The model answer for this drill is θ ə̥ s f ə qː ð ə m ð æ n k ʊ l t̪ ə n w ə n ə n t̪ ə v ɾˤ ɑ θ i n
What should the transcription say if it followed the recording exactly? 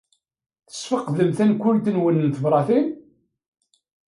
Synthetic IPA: θ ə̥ s f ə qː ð ə m θ æ n k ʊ l t̪ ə n w ə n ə n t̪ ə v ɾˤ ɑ θ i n